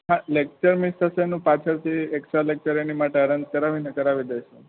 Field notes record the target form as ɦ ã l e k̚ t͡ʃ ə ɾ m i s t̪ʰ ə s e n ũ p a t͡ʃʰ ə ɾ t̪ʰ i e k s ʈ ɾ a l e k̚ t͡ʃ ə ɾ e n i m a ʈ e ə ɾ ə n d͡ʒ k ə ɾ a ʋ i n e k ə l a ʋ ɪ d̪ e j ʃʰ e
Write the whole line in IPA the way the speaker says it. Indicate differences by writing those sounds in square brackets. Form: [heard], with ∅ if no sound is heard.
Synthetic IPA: ɦ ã l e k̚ t͡ʃ ə ɾ m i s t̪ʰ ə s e n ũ p a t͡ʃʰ ə ɾ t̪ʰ i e k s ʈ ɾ a l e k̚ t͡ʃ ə ɾ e n i m a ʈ e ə ɾ ə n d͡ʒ k ə ɾ a ʋ i n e k ə [ɾ] a ʋ [i] d̪ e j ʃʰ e

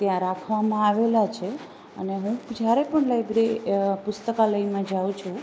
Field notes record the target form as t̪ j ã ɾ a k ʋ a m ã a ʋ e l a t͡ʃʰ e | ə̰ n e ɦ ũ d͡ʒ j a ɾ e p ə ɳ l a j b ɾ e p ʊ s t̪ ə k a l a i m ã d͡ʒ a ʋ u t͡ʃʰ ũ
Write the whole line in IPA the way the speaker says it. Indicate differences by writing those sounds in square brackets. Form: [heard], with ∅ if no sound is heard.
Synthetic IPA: t̪ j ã ɾ a [kʰ] ʋ a m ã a ʋ e l a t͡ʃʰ e | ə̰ n e ɦ ũ d͡ʒ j a ɾ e p ə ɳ l a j b ɾ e p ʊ s t̪ ə k a l [ə] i m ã d͡ʒ a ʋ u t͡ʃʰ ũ

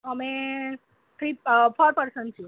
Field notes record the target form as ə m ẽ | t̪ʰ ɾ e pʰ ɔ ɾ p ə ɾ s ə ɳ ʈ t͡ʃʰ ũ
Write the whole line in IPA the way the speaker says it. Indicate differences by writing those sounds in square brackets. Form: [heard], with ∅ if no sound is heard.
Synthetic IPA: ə m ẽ | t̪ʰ ɾ [i] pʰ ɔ ɾ p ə ɾ s ə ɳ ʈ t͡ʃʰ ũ

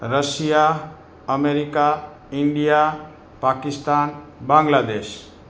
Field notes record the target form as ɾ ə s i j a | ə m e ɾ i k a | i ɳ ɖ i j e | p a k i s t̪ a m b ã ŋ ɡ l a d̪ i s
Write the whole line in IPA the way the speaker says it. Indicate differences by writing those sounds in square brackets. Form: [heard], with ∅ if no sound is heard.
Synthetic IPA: ɾ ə s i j a | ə m e ɾ i k a | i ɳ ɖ i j [a] | p a k i s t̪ a [n] b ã ŋ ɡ l a d̪ [e] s

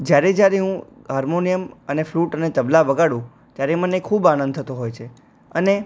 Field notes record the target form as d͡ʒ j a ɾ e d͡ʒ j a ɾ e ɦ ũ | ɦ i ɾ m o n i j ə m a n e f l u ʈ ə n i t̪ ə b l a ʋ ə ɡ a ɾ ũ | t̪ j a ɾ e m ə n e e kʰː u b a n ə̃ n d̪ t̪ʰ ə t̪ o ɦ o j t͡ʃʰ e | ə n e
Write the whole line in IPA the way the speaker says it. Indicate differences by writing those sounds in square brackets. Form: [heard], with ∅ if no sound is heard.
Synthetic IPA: d͡ʒ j a ɾ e d͡ʒ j a ɾ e ɦ ũ | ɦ [a] ɾ m o n i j ə m [ə] n e f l u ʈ ə n [e] t̪ ə b l a ʋ ə ɡ a [ɽ] ũ | t̪ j a ɾ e m ə n e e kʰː u b a n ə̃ n d̪ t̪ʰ ə t̪ o ɦ o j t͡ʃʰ e | ə n e

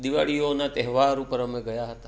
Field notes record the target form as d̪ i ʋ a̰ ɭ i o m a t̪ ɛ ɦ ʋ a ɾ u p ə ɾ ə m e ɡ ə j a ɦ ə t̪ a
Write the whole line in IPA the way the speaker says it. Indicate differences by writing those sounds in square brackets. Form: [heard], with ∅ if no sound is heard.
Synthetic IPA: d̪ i ʋ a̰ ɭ i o [n] a t̪ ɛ ɦ ʋ a ɾ u p ə ɾ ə m e ɡ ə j a ɦ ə t̪ a

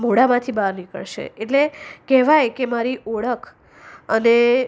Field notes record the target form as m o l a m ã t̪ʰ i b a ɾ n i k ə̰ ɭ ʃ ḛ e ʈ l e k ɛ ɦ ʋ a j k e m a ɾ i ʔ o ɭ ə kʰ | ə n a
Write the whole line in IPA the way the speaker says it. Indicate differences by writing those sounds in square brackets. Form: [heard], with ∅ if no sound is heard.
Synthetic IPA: m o [ɽ] a m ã t̪ʰ i b a ɾ n i k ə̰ ɭ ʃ ḛ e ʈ l e k ɛ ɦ ʋ a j k e m a ɾ i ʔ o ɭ ə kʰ | ə n [e]

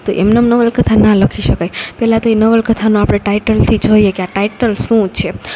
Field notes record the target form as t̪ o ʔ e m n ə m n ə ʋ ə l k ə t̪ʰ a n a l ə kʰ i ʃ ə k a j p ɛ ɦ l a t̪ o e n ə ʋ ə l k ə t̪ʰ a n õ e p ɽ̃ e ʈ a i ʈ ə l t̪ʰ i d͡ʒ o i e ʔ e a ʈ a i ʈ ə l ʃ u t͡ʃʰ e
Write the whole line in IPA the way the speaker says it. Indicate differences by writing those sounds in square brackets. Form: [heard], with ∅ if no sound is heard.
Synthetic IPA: t̪ o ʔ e m n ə m n ə ʋ ə l k ə t̪ʰ a n a l ə kʰ i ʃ ə k a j p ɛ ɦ l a t̪ o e n ə ʋ ə l k ə t̪ʰ a n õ [a] p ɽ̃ e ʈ a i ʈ ə l t̪ʰ i d͡ʒ o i e [k] e a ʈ a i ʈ ə l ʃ [ũ] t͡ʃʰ e

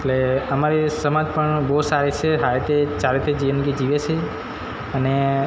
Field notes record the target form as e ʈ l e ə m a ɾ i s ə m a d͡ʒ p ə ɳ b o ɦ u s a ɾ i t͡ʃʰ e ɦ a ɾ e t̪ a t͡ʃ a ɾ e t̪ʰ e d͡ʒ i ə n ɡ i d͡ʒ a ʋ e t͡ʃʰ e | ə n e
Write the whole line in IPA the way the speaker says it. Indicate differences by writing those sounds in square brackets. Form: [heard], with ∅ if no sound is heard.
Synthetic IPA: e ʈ l e ə m a ɾ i s ə m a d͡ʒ p ə ɳ b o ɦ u s a ɾ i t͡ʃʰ e ɦ a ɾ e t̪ [e] t͡ʃ a ɾ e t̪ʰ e d͡ʒ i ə n ɡ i d͡ʒ [i] ʋ e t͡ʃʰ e | ə n e

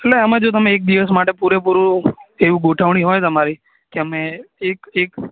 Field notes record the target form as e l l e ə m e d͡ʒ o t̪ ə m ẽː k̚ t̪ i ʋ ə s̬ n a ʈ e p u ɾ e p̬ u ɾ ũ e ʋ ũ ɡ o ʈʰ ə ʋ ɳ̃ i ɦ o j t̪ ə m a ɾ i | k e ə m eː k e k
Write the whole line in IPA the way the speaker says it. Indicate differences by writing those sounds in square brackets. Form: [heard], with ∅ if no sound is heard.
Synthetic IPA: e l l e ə m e d͡ʒ o t̪ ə m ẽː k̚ [d̪] i ʋ ə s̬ [m] a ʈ e p u ɾ e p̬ u ɾ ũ e ʋ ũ ɡ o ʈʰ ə ʋ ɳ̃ i ɦ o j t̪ ə m a ɾ i | k e ə m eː k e k

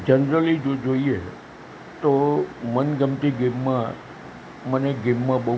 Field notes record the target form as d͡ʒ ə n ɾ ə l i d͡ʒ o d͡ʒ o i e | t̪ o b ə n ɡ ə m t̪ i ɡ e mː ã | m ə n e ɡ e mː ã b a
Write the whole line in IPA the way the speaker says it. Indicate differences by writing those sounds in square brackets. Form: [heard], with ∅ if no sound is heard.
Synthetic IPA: d͡ʒ ə n ɾ ə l i d͡ʒ o d͡ʒ o i e | t̪ o [m] ə n ɡ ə m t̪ i ɡ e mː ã | m ə n e ɡ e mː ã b [ə]

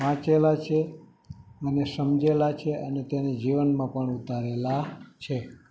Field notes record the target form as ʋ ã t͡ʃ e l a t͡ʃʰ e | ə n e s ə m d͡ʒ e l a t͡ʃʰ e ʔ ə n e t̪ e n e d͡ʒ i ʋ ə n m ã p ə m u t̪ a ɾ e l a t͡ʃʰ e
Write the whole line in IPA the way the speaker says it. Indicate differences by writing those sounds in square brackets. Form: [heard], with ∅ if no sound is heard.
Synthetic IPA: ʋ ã t͡ʃ e l a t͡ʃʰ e | ə n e s ə m d͡ʒ e l a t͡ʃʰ e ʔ ə n e t̪ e n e d͡ʒ i ʋ ə n m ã p ə [ɳ] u t̪ a ɾ e l a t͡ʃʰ e

